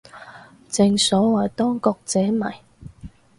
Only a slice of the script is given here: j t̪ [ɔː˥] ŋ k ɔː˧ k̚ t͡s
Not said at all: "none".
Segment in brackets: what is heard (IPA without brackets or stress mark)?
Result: ɔː˥